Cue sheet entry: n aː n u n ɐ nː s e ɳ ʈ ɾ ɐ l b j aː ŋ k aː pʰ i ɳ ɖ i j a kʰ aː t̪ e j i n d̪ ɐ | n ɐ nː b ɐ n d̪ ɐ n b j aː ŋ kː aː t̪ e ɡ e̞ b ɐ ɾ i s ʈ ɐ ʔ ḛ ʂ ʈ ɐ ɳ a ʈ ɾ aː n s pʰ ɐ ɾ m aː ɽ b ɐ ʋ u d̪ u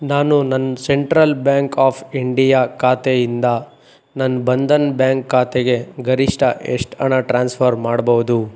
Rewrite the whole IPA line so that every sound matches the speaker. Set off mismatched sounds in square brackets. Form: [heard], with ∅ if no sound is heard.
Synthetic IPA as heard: n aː n u n ɐ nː s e ɳ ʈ ɾ ɐ l b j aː ŋ k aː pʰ i ɳ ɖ i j a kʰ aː t̪ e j i n d̪ ɐ | n ɐ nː b ɐ n d̪ ɐ n b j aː ŋ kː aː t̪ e ɡ e̞ [ɡ] ɐ ɾ i [ʂ] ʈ ɐ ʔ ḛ ʂ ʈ ɐ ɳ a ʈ ɾ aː n s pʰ ɐ ɾ m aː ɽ b ɐ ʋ u d̪ u

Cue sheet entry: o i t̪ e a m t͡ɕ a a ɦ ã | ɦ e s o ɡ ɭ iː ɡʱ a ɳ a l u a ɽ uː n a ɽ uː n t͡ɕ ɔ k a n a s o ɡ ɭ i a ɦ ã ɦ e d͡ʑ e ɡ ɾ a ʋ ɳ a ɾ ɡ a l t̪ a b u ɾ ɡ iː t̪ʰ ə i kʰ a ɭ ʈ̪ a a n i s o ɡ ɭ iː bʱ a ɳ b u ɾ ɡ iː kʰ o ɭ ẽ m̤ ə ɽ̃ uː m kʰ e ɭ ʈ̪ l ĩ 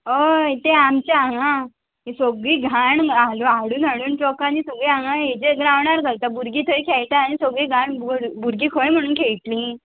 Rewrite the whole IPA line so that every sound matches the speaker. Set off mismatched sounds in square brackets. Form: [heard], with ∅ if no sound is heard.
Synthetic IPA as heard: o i t̪ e a m t͡ɕ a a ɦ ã | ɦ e s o ɡ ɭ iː ɡʱ a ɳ a l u a ɽ uː n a ɽ uː n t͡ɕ ɔ k a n [i] s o ɡ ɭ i a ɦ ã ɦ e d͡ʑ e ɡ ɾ a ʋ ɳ a ɾ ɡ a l t̪ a b u ɾ ɡ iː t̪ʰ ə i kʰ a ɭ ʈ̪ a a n i s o ɡ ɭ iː [ɡʱ] a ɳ b u ɾ ɡ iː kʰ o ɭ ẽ m̤ ə ɽ̃ uː [n] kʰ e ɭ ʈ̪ l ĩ

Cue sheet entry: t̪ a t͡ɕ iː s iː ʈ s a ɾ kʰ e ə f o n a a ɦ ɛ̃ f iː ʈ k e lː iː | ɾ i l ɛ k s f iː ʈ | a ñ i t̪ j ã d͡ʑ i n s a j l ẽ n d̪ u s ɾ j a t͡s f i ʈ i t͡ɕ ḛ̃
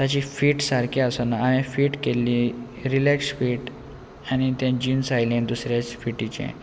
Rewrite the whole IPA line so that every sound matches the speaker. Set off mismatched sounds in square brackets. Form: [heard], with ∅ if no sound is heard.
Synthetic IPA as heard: t̪ a t͡ɕ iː [f] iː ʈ s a ɾ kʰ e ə [s] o n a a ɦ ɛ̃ f iː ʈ k e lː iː | ɾ i l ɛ k s f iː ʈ | a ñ i t̪ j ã d͡ʑ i n s a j l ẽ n d̪ u s ɾ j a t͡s f i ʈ i t͡ɕ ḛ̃

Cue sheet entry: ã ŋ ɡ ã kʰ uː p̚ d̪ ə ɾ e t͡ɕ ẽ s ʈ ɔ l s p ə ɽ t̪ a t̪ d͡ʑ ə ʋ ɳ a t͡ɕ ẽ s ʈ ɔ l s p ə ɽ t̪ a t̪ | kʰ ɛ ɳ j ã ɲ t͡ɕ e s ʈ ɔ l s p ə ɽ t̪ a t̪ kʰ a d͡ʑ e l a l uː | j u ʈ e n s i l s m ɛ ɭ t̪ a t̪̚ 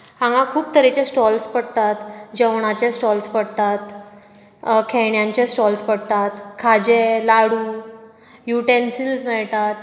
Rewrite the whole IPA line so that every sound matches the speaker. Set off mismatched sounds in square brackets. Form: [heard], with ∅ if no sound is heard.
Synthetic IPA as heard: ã ŋ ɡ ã kʰ uː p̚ [t̪] ə ɾ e t͡ɕ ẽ s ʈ ɔ l s p ə ɽ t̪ a t̪ d͡ʑ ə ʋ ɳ a t͡ɕ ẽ s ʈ ɔ l s p ə ɽ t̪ a t̪ | kʰ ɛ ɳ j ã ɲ t͡ɕ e s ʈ ɔ l s p ə ɽ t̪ a t̪ kʰ a d͡ʑ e l a [ɽ] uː | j u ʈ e n s i l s m ɛ ɭ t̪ a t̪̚

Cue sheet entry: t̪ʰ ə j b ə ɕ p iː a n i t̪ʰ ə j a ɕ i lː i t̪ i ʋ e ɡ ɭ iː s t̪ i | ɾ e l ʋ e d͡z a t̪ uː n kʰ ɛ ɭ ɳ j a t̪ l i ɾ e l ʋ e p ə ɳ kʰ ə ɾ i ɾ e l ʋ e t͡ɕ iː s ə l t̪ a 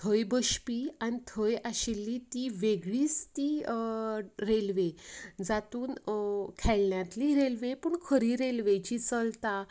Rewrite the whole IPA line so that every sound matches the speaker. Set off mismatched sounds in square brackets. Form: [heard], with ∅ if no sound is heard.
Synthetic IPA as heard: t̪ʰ ə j b ə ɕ p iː a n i t̪ʰ ə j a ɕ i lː i t̪ i ʋ e ɡ ɭ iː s t̪ i | ɾ e l ʋ e d͡z a t̪ uː n kʰ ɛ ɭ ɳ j a t̪ l i ɾ e l ʋ e p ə ɳ kʰ ə ɾ i ɾ e l ʋ e t͡ɕ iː [t͡s] ə l t̪ a

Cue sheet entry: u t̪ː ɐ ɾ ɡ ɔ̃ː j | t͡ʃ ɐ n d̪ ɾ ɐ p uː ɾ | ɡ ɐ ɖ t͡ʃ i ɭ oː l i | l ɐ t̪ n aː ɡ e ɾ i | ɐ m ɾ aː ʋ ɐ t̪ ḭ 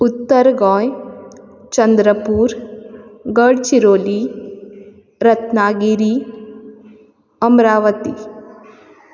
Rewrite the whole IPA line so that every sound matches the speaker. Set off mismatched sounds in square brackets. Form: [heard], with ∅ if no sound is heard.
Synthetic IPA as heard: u t̪ː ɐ ɾ ɡ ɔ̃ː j | t͡ʃ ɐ n d̪ ɾ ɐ p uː ɾ | ɡ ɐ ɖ t͡ʃ i [ɾ] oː l i | [ɾ] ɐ t̪ n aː ɡ [i] ɾ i | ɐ m ɾ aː ʋ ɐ t̪ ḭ

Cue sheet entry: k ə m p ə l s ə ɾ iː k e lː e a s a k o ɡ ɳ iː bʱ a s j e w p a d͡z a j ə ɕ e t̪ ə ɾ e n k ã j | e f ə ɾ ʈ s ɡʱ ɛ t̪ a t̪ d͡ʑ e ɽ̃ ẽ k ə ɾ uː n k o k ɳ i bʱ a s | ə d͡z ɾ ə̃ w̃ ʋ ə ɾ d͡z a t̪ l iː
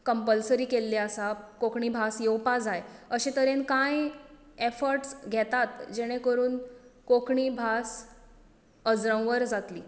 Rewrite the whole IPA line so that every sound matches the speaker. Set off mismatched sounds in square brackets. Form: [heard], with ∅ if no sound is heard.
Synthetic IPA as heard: k ə m p ə l s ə ɾ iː k e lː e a s a k o [k] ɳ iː bʱ a s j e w p a d͡z a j ə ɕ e t̪ ə ɾ e n k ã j | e f ə ɾ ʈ s ɡʱ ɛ t̪ a t̪ d͡ʑ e ɽ̃ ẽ k ə ɾ uː n k o k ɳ i bʱ a s | ə d͡z ɾ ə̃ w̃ ʋ ə ɾ d͡z a t̪ l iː

